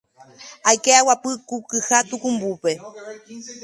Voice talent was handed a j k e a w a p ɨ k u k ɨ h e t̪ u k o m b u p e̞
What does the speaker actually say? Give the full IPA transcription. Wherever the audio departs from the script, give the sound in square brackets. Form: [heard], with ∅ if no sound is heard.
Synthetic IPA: a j k e a w a p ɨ k u k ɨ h [a] t̪ u k [u] m b u p e̞